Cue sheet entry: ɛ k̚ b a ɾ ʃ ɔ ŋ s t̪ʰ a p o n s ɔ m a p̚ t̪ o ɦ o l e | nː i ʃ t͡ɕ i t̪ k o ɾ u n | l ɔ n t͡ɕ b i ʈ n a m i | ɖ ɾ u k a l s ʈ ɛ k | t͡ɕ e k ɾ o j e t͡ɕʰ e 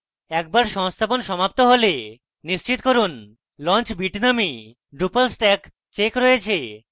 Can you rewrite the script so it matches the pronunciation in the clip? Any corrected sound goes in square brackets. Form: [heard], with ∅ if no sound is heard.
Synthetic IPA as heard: ɛ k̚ b a ɾ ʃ ɔ ŋ s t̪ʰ a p o n [ʃ] ɔ m a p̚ t̪ o ɦ o l e | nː i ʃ t͡ɕ i t̪ k o ɾ u n | l ɔ n t͡ɕ b i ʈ n a m i | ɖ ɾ u [p] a l s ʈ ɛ k | t͡ɕ e k ɾ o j e t͡ɕʰ e